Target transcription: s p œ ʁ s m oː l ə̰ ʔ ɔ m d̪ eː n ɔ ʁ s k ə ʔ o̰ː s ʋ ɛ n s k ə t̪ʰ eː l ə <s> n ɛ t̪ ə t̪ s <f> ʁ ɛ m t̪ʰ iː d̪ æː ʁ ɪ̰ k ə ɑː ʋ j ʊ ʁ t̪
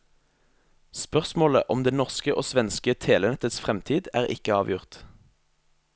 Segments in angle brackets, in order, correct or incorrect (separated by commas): incorrect, correct